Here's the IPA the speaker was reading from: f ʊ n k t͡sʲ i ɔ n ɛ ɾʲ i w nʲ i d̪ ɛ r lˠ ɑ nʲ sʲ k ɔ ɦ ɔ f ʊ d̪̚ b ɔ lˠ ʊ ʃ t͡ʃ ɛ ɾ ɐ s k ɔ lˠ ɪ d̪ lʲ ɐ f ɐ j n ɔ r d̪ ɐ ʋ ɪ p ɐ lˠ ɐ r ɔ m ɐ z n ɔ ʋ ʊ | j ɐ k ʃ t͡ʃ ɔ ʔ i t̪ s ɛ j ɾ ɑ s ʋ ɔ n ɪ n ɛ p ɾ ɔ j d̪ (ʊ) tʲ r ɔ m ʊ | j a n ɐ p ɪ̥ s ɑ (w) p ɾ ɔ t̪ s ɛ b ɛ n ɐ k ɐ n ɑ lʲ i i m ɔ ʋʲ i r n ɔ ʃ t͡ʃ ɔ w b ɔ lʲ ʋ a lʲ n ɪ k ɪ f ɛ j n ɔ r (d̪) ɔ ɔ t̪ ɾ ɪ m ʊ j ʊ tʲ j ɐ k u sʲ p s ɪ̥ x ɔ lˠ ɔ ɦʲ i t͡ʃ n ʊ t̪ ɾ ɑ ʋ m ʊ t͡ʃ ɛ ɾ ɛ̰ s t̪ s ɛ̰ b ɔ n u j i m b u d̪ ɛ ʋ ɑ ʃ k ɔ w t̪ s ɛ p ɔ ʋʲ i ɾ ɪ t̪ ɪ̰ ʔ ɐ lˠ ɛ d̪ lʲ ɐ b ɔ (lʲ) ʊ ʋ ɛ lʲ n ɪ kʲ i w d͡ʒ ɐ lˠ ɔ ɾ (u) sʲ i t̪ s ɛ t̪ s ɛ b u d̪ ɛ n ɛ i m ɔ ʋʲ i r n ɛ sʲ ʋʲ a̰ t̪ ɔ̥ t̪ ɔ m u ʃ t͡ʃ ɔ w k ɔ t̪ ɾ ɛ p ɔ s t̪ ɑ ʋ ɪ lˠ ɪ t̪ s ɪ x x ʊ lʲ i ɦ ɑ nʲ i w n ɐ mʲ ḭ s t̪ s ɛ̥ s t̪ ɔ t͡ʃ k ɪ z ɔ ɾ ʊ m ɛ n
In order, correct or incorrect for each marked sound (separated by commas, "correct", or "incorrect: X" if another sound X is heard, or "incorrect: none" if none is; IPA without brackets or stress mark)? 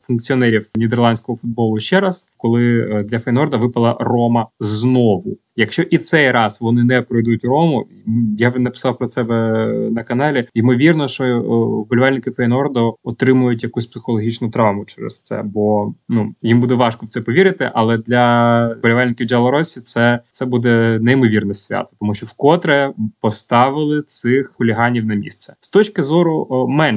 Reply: incorrect: u, correct, correct, correct, incorrect: ɔ